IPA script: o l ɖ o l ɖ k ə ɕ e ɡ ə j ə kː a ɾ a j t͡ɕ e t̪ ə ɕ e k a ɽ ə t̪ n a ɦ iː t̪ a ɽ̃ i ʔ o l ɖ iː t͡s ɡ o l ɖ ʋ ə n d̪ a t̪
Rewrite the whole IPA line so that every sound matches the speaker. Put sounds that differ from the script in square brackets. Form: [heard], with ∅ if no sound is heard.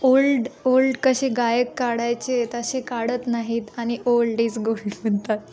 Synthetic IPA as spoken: o l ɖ o l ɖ k ə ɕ e ɡ [a] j ə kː a [ɽ] a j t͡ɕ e t̪ ə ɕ e k a ɽ ə t̪ n a ɦ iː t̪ a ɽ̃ i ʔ o l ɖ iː t͡s ɡ o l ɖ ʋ ə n [t̪] a t̪